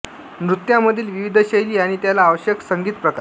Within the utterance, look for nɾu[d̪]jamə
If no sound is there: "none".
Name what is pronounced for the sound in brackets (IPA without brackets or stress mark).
t̪